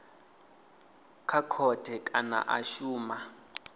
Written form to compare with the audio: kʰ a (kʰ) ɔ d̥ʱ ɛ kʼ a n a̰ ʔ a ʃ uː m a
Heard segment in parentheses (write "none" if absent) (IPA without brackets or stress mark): kʰ